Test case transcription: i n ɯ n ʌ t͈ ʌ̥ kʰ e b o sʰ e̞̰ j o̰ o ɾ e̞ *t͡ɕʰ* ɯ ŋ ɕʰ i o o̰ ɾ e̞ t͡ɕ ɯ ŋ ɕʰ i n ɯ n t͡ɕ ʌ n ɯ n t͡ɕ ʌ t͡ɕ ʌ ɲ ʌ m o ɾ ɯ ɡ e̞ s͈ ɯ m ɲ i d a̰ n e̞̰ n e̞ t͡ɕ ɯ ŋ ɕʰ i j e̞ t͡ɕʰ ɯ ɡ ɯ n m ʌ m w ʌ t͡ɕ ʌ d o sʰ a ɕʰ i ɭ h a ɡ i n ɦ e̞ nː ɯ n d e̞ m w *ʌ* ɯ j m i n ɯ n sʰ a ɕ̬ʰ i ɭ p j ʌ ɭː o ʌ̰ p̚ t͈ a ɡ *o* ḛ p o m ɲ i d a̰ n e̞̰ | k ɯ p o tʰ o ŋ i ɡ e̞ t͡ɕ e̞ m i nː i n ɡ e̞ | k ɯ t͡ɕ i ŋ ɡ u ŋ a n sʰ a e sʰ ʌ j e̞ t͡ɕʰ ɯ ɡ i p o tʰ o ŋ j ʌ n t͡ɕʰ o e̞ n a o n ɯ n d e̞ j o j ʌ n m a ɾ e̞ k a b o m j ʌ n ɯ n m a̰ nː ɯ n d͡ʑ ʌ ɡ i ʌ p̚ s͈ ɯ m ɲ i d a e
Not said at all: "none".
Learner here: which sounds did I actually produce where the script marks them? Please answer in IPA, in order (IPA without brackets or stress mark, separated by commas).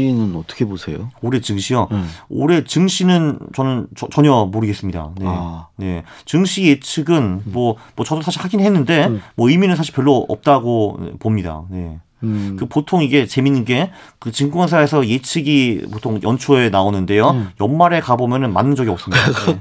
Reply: t͡ɕ, ʌ, o